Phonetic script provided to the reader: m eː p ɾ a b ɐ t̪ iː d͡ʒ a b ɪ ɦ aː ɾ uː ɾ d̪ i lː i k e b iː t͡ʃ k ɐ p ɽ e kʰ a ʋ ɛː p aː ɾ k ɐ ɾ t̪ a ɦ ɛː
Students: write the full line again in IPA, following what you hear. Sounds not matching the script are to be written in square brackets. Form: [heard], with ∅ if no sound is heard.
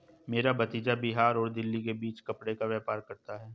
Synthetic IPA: m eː [∅] ɾ a b ɐ t̪ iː d͡ʒ a b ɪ ɦ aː ɾ [ɔː] ɾ d̪ [ɪ] lː i k e b iː t͡ʃ k ɐ p ɽ e [k] a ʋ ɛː p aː ɾ k ɐ ɾ t̪ a ɦ ɛː